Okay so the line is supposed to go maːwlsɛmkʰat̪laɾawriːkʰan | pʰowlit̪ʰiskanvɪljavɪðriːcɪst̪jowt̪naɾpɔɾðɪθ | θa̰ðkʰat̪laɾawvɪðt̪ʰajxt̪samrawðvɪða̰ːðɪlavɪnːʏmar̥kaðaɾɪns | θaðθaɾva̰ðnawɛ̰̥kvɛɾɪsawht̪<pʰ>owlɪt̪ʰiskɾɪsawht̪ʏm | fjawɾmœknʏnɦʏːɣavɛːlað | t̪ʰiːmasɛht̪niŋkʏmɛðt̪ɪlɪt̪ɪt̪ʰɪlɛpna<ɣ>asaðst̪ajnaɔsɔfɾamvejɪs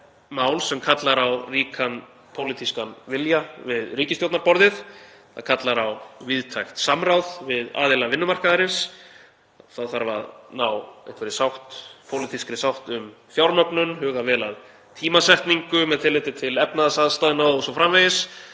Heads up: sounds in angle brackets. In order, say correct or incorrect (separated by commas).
correct, incorrect